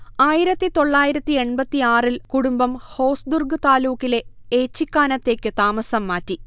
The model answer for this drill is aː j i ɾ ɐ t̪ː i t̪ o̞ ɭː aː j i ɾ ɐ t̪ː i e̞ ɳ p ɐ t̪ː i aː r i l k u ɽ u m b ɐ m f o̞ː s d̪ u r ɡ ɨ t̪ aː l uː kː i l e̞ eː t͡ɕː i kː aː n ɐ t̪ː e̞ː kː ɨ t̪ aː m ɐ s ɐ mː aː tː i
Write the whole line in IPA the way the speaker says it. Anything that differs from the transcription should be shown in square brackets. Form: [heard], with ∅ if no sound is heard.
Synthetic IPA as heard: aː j i ɾ ɐ t̪ː i t̪ o̞ ɭː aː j i ɾ ɐ t̪ː i e̞ ɳ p ɐ t̪ː i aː r i l k u ɽ u m b ɐ m [h] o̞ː s d̪ u r ɡ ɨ t̪ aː l uː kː i l e̞ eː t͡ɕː i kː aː n ɐ t̪ː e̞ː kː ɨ t̪ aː m ɐ s ɐ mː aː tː i

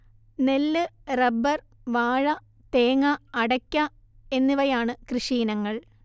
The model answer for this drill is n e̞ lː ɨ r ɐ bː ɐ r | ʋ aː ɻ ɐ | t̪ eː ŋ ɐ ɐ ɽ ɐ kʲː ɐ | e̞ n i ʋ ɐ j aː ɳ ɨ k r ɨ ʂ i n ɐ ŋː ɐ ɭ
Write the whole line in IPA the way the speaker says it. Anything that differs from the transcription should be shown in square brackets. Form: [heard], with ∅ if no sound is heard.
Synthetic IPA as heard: n e̞ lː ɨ r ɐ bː ɐ r | ʋ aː ɻ ɐ | t̪ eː ŋ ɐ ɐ ɽ ɐ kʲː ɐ | e̞ [nː] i ʋ ɐ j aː ɳ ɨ k r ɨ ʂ [iː] n ɐ ŋː ɐ ɭ

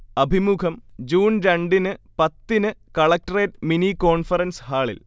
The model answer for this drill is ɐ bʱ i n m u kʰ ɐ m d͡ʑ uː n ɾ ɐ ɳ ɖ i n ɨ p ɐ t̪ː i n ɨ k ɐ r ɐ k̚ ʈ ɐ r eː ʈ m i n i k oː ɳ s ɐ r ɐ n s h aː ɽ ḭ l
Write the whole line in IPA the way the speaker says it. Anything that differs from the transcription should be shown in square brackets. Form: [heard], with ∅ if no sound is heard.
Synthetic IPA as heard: ɐ bʱ i [∅] m u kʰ ɐ m d͡ʑ uː n ɾ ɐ ɳ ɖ i n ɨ p ɐ t̪ː i n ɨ k ɐ [ɭ] ɐ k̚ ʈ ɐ r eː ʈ m i n i k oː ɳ [f] ɐ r ɐ n s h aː [ɭ] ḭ l

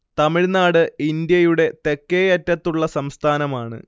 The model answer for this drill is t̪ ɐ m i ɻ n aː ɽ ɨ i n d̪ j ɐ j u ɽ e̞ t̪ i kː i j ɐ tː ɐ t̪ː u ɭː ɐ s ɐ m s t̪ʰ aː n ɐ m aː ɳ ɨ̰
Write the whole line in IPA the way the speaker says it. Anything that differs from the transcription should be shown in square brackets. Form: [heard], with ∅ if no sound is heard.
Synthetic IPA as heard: t̪ ɐ m i ɻ n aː ɽ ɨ i n d̪ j ɐ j u ɽ e̞ t̪ [e] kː [e] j ɐ tː ɐ t̪ː u ɭː ɐ s ɐ m s t̪ʰ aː n ɐ m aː ɳ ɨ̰

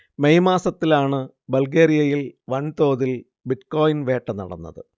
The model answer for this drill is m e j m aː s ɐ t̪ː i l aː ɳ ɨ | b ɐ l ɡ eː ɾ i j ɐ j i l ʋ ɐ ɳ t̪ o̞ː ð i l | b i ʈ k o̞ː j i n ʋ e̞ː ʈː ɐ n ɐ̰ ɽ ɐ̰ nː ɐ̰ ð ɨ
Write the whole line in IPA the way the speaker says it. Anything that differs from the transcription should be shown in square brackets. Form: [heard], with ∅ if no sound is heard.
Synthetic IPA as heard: m e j m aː s ɐ t̪ː i l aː ɳ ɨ | b ɐ l ɡ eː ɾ i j ɐ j i l ʋ ɐ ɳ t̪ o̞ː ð i l | b i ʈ k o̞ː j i n ʋ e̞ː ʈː ɐ n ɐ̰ ɽ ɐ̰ nː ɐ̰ ð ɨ

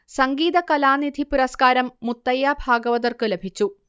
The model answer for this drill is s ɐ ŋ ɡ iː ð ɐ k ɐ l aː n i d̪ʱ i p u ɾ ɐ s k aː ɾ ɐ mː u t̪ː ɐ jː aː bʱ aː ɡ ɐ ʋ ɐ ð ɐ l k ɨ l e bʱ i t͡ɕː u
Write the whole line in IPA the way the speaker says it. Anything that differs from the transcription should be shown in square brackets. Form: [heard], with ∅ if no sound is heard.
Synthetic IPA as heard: s ɐ ŋ ɡ iː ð ɐ k ɐ l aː n i d̪ʱ i p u ɾ ɐ s k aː ɾ ɐ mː u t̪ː ɐ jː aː bʱ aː ɡ ɐ ʋ ɐ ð ɐ [r] k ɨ l e bʱ i t͡ɕː u

